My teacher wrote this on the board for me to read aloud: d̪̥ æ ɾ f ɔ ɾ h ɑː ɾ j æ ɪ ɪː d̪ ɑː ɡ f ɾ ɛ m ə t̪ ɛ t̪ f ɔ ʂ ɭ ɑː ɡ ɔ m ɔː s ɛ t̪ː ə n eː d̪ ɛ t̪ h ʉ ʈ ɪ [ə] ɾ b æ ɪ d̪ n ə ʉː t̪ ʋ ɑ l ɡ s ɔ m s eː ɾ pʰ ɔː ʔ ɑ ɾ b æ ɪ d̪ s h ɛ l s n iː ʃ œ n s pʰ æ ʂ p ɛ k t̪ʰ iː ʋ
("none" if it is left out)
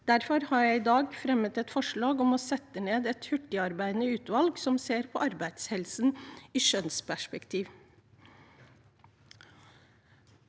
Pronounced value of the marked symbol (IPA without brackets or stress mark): ɑ